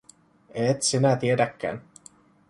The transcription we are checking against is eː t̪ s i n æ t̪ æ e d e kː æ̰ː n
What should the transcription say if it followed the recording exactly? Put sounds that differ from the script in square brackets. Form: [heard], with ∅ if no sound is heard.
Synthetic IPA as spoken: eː t̪ s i n æ t̪ [i] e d [æ] kː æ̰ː n